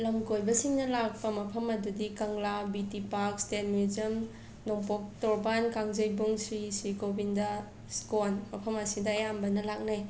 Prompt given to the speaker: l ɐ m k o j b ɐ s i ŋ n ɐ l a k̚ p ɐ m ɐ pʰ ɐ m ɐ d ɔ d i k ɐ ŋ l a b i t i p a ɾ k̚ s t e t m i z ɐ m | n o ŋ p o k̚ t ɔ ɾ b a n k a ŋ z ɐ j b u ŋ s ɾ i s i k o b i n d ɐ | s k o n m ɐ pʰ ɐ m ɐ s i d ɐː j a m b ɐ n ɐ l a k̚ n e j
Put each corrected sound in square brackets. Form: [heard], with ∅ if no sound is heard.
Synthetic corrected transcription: l ɐ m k o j b ɐ s i ŋ n ɐ l a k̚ p ɐ m ɐ pʰ ɐ m ɐ d [u] d i k ɐ ŋ l a b i t i p a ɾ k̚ s t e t m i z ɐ m | n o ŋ p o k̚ t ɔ ɾ b a n k a ŋ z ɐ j b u ŋ s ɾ i s i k o b i n d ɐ | s k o n m ɐ pʰ ɐ m ɐ s i d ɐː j a m b ɐ n ɐ l a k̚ n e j